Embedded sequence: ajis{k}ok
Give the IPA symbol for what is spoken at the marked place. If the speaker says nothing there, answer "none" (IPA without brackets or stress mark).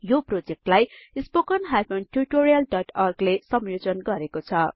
p